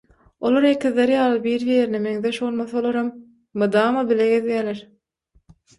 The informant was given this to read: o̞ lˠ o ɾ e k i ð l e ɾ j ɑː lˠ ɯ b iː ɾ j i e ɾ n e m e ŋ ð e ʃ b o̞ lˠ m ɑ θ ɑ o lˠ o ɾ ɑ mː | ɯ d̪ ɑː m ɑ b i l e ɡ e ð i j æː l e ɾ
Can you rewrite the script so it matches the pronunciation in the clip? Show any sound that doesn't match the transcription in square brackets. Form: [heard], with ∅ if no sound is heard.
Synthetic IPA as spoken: o̞ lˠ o ɾ e k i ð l e ɾ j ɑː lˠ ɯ b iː ɾ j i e ɾ n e m e ŋ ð e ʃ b o̞ lˠ m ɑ θ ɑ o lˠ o ɾ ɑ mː | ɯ d̪ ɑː m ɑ b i l e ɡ e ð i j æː l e ɾ